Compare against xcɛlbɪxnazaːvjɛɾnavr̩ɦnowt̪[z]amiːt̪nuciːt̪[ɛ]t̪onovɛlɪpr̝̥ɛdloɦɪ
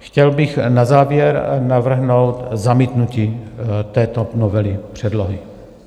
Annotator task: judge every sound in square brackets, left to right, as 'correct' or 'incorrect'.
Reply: correct, incorrect

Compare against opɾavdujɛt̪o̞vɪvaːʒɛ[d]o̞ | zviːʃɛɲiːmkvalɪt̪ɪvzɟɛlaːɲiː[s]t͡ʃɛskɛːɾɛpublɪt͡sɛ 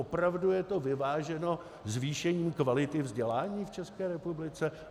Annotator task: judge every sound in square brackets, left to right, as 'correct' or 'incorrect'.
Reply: incorrect, incorrect

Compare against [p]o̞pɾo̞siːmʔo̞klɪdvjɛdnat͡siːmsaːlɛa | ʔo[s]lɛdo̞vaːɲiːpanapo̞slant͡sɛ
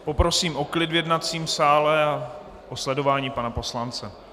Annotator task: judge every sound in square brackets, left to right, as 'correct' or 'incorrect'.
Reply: correct, correct

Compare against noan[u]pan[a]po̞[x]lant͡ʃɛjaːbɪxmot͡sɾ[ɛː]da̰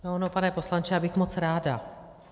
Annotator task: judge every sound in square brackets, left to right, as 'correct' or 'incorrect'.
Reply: incorrect, incorrect, incorrect, incorrect

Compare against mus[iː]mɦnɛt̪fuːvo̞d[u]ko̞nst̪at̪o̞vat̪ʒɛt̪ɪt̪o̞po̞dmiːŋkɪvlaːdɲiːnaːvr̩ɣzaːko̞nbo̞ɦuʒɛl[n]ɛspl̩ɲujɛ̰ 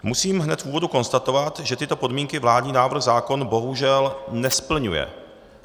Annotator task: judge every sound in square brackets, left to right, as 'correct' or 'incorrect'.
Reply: correct, correct, correct

